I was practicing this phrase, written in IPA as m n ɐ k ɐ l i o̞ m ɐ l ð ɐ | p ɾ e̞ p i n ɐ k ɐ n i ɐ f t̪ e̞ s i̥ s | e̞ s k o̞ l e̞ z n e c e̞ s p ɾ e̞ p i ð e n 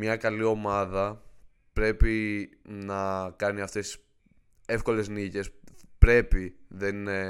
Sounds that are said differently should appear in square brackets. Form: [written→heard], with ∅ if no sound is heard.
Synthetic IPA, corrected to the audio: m [n→ɲ] ɐ k ɐ l i o̞ m ɐ [l→∅] ð ɐ | p ɾ e̞ p i n ɐ k ɐ n i ɐ f t̪ e̞ s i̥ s | e̞ [s→f] k o̞ l e̞ z n [e→i] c e̞ s p ɾ e̞ p i ð e n